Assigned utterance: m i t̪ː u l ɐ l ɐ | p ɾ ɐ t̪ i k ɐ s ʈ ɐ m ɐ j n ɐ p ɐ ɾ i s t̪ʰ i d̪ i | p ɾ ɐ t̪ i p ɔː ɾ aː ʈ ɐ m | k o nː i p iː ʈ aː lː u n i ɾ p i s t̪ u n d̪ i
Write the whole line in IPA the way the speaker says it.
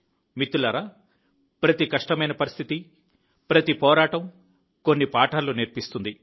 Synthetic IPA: m i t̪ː u l ɐ ɾ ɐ | p ɾ ɐ t̪ i k ɐ ʂ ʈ ɐ m ɐ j n ɐ p ɐ ɾ i s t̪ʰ i t̪ i | p ɾ ɐ t̪ i p ɔː ɾ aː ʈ ɐ m | k o nː i p aː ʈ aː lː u n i ɾ p i s t̪ u n d̪ i